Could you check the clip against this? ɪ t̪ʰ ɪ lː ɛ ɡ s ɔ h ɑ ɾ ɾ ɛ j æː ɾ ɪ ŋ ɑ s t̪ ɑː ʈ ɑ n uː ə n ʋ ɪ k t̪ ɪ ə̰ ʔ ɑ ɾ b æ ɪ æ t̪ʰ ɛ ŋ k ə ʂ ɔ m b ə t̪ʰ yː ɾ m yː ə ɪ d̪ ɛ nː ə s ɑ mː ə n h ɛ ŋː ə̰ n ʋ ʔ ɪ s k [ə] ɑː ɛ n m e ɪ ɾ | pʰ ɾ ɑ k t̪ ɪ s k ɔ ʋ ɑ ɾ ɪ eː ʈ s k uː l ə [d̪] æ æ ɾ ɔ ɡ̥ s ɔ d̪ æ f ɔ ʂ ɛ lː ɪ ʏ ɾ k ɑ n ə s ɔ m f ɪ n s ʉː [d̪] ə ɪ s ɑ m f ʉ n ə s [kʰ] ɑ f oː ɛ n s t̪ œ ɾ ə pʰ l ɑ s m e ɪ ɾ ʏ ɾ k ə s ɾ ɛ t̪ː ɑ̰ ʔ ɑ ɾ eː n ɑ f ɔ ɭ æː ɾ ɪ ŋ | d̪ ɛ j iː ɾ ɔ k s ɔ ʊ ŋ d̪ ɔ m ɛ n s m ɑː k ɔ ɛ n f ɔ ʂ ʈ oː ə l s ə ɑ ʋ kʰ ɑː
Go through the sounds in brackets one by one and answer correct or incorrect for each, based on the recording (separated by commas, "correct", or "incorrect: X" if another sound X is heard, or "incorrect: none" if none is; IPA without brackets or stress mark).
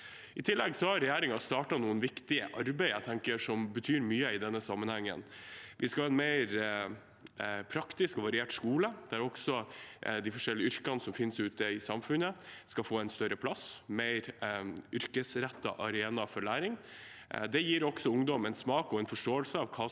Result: incorrect: ɑ, correct, incorrect: t̪, incorrect: k